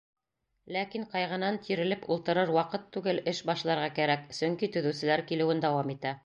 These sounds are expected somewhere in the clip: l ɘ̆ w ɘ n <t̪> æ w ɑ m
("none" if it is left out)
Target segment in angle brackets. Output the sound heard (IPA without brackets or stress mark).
d̪